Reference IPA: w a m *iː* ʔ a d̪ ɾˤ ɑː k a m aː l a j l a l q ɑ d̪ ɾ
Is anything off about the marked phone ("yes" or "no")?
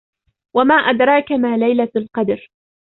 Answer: yes